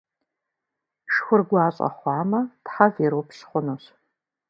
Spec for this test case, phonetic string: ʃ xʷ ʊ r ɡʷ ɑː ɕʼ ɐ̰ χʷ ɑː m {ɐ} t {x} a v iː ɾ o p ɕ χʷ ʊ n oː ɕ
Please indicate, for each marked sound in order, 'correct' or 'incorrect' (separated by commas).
correct, incorrect